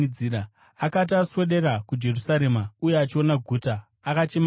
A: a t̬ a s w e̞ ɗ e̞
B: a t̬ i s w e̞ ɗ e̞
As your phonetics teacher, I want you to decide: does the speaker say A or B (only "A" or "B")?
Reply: A